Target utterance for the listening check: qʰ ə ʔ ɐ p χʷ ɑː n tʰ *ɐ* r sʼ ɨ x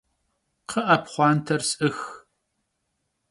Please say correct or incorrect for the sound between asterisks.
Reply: correct